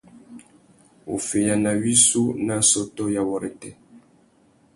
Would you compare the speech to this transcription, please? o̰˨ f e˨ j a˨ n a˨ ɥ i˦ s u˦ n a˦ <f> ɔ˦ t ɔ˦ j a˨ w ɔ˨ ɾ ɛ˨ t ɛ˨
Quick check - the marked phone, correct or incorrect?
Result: incorrect